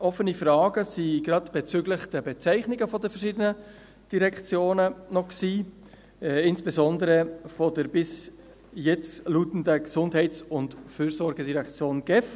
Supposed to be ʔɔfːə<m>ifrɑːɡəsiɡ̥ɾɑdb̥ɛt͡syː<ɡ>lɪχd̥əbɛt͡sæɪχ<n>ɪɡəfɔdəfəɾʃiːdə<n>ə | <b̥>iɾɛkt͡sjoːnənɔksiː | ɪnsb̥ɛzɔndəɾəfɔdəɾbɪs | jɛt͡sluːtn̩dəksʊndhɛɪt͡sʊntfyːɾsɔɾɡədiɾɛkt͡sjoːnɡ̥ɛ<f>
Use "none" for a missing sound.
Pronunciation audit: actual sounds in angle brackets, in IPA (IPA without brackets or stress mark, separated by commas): n, ɡ, n, n, d̥, f